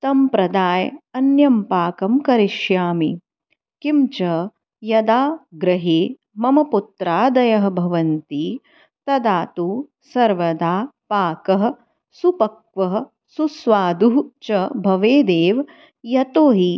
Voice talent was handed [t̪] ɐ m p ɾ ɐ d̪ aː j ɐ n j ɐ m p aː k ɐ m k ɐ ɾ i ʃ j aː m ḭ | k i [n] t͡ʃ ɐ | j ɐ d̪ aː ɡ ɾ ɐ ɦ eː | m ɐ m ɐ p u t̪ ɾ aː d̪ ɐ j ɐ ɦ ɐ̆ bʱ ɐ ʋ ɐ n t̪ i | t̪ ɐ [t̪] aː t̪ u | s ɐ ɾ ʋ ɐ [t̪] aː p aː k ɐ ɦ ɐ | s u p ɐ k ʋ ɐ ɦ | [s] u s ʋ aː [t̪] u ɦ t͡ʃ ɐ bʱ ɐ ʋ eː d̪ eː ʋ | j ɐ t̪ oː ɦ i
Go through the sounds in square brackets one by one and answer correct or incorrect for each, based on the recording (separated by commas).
correct, incorrect, incorrect, incorrect, correct, incorrect